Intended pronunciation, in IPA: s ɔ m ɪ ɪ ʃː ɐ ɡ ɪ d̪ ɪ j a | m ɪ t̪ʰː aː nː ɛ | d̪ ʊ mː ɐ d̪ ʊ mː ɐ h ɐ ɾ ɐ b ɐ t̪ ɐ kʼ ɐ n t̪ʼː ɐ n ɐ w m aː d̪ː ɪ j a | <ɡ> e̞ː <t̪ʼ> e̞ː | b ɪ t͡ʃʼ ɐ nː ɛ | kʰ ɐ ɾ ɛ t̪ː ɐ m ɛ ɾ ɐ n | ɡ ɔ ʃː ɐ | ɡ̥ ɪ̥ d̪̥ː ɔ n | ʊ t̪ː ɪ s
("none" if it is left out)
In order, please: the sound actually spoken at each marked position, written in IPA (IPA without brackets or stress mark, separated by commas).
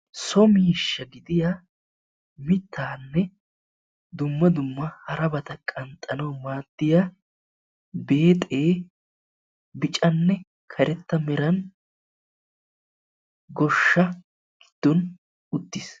b, t̪ʼ